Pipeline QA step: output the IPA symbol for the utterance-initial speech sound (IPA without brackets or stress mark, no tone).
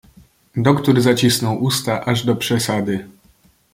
d̪